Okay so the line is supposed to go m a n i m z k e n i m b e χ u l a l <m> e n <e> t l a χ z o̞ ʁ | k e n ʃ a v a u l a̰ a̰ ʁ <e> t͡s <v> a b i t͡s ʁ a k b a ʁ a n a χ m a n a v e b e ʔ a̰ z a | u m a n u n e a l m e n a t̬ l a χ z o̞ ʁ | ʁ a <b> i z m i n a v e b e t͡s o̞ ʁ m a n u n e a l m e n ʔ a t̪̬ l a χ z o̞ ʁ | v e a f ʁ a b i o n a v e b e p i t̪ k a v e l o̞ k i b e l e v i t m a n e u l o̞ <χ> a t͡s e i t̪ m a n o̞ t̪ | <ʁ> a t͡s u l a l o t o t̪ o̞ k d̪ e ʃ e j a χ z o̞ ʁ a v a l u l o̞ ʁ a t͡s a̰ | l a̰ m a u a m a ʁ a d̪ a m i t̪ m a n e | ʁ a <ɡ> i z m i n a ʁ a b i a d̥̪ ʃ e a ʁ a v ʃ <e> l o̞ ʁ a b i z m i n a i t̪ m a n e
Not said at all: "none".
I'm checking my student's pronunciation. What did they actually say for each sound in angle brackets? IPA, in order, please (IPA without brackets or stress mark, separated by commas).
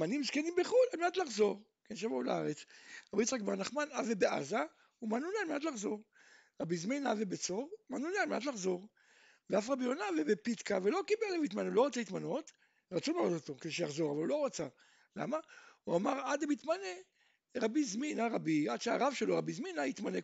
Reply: m, a, e, ʁ, b, ʁ, ʁ, b, e